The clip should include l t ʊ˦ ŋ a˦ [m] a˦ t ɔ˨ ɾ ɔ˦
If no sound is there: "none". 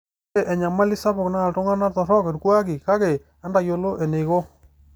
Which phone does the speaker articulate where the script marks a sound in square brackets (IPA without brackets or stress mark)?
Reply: n